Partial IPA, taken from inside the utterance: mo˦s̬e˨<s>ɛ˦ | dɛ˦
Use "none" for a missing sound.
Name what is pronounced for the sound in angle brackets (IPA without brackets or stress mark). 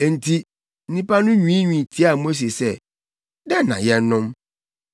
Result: s